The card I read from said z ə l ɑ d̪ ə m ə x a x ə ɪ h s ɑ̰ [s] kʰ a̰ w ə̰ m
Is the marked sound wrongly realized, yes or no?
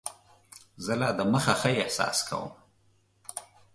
no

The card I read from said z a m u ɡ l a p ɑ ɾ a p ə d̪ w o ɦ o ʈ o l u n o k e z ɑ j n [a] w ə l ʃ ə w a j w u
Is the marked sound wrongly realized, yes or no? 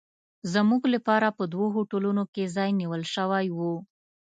yes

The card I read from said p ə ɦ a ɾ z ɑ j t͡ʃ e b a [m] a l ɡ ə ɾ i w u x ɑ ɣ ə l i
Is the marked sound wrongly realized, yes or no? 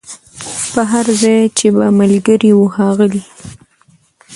no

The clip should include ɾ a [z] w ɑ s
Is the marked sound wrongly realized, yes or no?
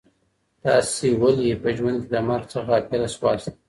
yes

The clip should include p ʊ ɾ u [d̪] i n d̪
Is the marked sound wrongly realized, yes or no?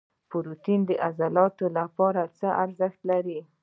yes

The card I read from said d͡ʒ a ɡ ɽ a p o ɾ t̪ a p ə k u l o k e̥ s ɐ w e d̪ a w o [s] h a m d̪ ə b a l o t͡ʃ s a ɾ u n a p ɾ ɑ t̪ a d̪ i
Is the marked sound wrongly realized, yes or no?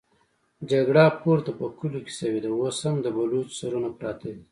no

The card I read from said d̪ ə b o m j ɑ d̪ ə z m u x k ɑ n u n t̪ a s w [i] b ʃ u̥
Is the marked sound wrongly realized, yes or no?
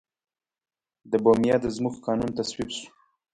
no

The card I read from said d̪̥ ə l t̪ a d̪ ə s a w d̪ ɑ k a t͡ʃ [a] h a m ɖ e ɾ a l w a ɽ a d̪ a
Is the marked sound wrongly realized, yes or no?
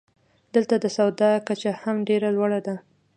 no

